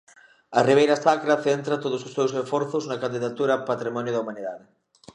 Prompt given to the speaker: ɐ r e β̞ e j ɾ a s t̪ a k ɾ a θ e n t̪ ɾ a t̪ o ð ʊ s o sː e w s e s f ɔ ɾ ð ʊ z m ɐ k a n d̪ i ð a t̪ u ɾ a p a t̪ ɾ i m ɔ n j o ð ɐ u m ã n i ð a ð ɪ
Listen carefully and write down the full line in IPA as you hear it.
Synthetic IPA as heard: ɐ r i β̞ e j ɾ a s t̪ a k ɾ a θ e n t̪ ɾ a t̪ o ð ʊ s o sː e w s e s f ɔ ɾ θ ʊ z n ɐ k a n d̪ i ð a t̪ u ɾ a p a t̪ ɾ i m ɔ n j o ð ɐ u m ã n i ð a ð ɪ